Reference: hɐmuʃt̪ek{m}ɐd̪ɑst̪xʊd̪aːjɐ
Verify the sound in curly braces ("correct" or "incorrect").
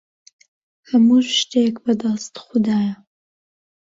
incorrect